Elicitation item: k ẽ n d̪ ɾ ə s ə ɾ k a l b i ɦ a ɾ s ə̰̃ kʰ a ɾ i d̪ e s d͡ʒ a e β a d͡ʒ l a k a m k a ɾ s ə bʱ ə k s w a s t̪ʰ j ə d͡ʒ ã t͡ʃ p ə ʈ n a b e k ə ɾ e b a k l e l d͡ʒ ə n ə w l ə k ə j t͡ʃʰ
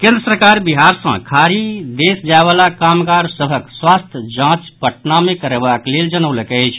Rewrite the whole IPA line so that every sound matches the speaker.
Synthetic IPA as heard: k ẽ n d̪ ɾ ə s ə ɾ k a ɾ b i ɦ a ɾ s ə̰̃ kʰ a ɾ i d̪ e s d͡ʒ a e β a l a k a m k a ɾ s ə bʱ ə k s w a s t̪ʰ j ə d͡ʒ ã t͡ʃ p ə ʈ n a m e k ə ɾ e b a k l e l d͡ʒ ə n ə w l ə k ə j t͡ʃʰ